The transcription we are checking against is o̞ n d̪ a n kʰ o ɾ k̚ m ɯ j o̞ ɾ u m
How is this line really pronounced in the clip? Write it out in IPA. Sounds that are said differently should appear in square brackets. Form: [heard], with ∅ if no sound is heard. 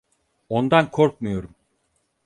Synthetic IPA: o̞ n d̪ a n kʰ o ɾ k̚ m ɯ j o̞ ɾ u m